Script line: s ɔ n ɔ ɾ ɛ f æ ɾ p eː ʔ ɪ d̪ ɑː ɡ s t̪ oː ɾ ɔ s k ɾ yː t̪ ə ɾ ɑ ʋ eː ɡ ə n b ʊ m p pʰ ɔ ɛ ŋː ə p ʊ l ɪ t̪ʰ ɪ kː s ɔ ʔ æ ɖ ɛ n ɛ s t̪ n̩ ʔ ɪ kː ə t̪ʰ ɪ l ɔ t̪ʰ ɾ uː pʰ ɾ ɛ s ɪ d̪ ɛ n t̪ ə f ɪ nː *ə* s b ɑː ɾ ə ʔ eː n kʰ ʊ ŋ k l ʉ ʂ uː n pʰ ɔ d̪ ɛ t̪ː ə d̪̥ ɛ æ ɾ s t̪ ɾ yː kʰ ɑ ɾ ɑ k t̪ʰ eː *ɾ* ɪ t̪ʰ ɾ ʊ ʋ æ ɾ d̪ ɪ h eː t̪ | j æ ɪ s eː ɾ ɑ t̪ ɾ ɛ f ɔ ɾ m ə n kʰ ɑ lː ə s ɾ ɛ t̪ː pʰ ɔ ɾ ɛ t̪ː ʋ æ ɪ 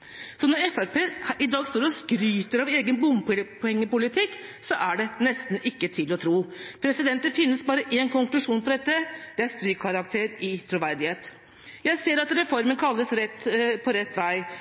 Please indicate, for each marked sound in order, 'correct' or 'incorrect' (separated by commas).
correct, correct